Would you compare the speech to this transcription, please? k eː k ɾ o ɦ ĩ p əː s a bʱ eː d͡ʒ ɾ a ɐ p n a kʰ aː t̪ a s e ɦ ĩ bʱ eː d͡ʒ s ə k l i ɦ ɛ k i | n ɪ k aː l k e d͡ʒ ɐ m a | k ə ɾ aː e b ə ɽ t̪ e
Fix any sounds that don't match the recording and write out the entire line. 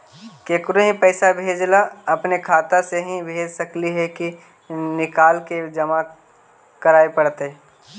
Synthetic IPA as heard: k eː k ɾ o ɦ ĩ p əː s a bʱ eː d͡ʒ l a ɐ p n e kʰ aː t̪ a s e ɦ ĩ bʱ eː d͡ʒ s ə k l i ɦ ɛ k i | n ɪ k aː l k e d͡ʒ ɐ m a | k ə ɾ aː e p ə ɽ t̪ e